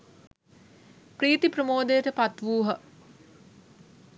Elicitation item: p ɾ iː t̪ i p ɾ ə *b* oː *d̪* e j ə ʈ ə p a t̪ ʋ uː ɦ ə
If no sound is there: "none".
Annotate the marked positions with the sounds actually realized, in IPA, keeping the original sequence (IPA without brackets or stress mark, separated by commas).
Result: m, d̪